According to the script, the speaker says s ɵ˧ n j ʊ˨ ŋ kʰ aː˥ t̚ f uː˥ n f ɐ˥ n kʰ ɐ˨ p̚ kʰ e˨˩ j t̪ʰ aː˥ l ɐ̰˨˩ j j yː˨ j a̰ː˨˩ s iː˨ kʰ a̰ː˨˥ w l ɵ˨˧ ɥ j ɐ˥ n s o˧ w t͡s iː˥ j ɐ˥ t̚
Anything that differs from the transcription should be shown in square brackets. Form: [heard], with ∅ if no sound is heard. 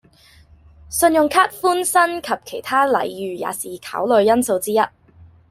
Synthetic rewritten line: s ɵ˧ n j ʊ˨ ŋ kʰ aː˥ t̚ f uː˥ n [s] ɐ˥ n kʰ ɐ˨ p̚ kʰ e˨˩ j t̪ʰ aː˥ l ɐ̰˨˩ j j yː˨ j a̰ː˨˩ s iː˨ kʰ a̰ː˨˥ w l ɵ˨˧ ɥ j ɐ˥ n s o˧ w t͡s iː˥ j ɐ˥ t̚